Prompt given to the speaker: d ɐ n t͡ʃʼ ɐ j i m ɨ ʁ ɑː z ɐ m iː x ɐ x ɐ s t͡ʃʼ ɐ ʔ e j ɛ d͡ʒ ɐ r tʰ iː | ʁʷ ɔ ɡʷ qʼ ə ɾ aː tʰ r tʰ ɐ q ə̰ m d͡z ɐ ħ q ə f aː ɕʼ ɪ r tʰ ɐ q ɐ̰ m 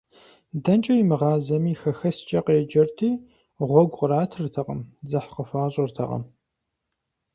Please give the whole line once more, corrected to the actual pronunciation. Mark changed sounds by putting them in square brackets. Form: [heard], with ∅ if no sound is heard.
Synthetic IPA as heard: d ɐ n t͡ʃʼ ɐ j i m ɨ ʁ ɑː z ɐ m iː x ɐ x ɐ s t͡ʃʼ ɐ [q] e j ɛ d͡ʒ ɐ r tʰ iː | ʁʷ ɔ ɡʷ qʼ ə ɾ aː tʰ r tʰ ɐ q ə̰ m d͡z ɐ ħ q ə f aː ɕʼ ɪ r tʰ ɐ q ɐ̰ m